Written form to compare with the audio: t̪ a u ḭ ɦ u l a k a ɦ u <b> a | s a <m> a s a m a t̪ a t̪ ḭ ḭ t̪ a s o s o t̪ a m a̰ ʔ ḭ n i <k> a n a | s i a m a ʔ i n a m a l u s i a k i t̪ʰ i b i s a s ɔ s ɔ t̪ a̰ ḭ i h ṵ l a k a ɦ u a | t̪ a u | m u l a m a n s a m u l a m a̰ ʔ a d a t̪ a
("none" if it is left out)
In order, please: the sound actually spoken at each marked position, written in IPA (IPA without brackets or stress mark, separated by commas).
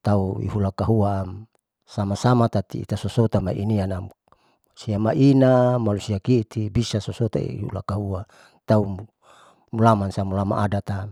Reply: none, m, none